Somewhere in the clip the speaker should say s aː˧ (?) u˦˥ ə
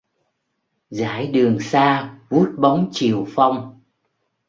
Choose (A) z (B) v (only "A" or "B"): B